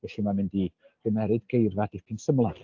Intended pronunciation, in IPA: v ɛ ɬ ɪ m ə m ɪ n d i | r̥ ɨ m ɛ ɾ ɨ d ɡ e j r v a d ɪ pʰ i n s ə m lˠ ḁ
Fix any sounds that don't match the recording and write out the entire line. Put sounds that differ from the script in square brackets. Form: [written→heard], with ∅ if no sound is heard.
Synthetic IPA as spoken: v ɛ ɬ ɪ m [ə→a] m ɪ n d i | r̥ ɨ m ɛ ɾ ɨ d ɡ e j r v a d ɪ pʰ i n s ə m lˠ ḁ